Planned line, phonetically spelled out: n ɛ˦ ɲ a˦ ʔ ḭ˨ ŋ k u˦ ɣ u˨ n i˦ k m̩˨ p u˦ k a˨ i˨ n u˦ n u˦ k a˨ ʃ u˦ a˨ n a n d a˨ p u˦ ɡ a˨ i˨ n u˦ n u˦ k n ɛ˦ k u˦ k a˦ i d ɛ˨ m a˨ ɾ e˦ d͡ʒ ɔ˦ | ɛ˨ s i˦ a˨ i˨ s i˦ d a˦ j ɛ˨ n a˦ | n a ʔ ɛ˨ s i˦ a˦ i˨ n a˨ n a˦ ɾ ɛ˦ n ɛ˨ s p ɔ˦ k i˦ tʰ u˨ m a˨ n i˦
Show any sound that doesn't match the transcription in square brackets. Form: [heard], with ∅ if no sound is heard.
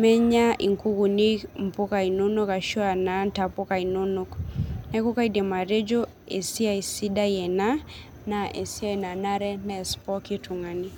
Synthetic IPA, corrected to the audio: [m] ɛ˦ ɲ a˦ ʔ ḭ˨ ŋ k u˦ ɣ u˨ n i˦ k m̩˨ p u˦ k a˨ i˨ n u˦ n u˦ k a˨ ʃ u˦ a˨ n a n [t] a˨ p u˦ [k] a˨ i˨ n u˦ n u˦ k n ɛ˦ k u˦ k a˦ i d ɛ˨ m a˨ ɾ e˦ d͡ʒ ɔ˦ | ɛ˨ s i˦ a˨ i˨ s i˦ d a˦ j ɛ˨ n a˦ | n a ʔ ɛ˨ s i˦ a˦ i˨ n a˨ n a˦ ɾ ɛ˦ n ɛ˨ s p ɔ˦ k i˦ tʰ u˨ [ŋ] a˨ n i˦